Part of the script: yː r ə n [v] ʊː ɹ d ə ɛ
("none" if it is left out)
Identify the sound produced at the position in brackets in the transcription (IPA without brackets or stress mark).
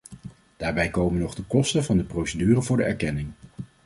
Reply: v